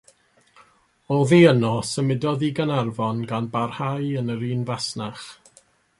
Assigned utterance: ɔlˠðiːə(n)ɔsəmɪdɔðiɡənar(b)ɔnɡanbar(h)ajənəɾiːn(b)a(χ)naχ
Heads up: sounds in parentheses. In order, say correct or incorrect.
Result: correct, incorrect, correct, incorrect, incorrect

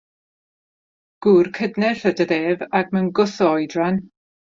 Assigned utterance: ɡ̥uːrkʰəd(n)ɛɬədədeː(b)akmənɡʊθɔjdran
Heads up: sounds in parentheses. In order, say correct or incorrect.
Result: correct, incorrect

